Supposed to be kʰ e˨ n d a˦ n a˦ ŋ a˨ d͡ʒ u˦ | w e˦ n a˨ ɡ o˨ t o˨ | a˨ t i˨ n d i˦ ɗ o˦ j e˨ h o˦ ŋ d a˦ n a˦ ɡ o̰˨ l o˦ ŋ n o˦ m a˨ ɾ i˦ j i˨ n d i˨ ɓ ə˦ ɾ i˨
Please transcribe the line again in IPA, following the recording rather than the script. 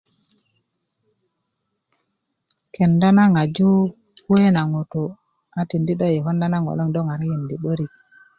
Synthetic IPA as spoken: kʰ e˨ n d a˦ n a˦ ŋ a˨ d͡ʒ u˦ | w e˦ n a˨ ŋ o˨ t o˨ | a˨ t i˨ n d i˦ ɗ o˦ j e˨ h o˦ n d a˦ n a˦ ŋ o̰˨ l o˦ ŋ d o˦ ŋ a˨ ɾ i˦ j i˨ n d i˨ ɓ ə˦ ɾ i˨